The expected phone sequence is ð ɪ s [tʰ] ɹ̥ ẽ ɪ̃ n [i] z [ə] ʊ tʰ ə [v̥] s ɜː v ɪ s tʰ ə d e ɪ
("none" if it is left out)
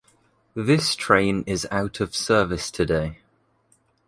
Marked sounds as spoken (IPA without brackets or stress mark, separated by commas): tʰ, ɪ, a, v̥